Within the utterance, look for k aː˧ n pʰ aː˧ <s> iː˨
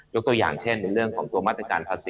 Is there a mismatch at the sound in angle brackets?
no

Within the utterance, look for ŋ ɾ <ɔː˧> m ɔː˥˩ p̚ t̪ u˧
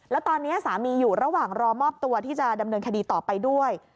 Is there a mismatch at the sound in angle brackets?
no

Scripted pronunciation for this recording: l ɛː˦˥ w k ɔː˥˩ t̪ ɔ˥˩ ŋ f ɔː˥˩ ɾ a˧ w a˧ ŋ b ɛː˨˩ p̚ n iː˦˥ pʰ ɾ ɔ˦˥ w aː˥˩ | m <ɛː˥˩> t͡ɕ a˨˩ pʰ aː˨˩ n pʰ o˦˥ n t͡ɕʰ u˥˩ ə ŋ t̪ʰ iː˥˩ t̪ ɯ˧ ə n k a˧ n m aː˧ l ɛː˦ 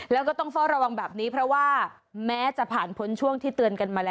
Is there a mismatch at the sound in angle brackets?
yes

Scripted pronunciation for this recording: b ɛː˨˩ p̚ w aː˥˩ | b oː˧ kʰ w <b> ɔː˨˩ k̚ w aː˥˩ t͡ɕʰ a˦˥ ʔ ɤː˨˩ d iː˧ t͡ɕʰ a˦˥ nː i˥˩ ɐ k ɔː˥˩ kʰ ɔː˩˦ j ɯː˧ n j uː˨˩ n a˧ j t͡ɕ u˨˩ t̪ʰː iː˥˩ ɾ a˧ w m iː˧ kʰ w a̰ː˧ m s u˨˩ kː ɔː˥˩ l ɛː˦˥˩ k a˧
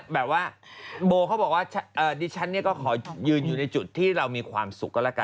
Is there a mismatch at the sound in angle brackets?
no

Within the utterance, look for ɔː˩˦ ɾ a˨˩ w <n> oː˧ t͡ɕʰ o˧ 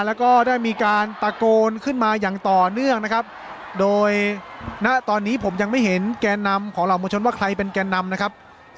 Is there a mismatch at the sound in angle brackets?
yes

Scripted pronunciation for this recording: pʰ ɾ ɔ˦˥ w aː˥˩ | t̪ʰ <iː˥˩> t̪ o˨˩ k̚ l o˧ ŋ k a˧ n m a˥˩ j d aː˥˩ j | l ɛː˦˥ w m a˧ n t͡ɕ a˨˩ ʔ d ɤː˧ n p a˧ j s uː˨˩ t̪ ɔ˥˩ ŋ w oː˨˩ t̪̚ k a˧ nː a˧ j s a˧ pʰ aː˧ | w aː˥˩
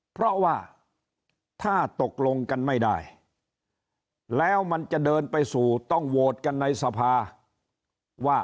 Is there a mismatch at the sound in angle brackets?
yes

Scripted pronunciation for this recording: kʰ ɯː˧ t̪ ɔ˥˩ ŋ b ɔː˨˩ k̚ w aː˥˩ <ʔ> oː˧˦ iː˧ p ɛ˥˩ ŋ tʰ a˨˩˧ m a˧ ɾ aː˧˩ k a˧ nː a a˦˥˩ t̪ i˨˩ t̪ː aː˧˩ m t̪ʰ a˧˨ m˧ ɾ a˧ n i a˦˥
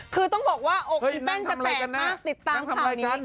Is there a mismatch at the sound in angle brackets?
no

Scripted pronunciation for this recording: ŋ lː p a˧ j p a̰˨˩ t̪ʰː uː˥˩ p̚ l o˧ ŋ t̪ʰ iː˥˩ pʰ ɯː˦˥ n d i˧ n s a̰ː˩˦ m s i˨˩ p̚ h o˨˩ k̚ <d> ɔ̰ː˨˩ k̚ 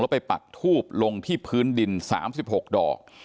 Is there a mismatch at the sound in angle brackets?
no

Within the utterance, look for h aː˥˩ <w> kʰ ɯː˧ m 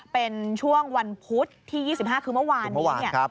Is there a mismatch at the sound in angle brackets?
yes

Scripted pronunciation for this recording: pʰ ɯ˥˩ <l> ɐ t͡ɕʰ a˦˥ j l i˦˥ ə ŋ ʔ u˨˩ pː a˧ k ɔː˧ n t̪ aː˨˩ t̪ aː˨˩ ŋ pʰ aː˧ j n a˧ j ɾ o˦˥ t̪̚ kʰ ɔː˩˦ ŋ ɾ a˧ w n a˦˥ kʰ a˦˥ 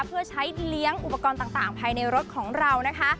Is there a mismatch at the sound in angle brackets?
yes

